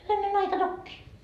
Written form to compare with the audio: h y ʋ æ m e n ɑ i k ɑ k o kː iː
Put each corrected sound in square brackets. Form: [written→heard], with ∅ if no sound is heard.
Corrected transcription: h y ʋ æ [m→n] e n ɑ i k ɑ [k→t] o kː iː